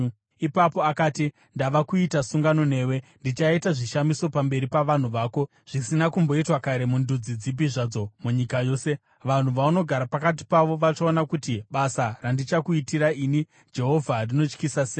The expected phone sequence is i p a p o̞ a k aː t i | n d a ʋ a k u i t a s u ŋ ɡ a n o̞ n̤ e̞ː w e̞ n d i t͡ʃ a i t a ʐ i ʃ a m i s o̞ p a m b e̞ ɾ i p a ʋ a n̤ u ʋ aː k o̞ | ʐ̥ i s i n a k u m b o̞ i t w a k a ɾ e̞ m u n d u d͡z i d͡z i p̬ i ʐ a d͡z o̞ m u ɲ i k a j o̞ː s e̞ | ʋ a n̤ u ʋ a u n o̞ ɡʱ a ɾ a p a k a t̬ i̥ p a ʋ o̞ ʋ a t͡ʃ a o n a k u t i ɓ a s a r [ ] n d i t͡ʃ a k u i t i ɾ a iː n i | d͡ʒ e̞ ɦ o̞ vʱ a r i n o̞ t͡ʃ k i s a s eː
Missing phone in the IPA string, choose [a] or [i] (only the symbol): a